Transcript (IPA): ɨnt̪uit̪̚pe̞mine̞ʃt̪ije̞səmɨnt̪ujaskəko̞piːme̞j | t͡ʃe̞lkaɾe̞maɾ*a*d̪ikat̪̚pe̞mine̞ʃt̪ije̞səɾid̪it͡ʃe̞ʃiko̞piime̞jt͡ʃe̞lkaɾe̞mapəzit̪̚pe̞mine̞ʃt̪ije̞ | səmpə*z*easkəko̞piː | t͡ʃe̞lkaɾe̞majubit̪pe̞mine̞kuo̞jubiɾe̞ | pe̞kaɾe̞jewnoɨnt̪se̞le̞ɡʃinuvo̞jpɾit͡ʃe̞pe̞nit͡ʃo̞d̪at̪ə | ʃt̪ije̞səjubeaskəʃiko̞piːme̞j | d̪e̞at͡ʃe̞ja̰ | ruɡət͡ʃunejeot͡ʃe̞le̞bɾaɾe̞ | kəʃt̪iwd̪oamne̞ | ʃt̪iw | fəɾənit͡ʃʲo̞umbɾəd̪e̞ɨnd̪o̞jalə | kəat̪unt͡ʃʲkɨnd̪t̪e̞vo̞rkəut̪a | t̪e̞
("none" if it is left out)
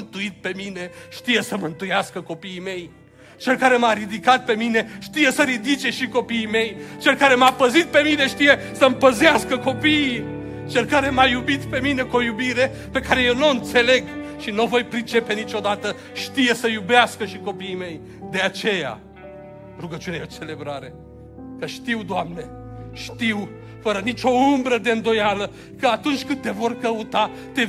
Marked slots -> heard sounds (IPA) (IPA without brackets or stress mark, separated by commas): i, z